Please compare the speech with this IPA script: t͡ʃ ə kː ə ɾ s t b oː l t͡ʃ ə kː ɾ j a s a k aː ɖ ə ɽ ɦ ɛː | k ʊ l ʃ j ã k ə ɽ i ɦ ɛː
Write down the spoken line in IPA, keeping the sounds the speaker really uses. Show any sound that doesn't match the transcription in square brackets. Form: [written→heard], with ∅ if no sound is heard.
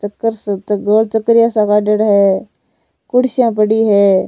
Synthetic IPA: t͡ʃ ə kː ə ɾ s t [b→ɡ] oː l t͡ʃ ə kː ɾ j a s a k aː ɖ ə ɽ ɦ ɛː | k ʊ [l→ɽ] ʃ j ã [k→p] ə ɽ i ɦ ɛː